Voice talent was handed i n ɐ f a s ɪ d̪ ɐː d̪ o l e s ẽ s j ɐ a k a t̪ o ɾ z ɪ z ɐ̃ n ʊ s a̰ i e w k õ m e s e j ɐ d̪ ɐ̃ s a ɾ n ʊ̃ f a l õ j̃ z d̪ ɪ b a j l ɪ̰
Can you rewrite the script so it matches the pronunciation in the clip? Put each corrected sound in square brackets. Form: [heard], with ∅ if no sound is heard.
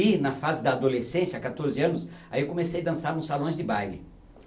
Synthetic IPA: i n ɐ f a [z] ɪ d̪ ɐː d̪ o l e s ẽ s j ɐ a k a t̪ o ɾ z ɪ [∅] ɐ̃ n ʊ s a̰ i e w k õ m e s e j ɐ d̪ ɐ̃ s a ɾ n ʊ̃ [s] a l õ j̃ z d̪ ɪ b a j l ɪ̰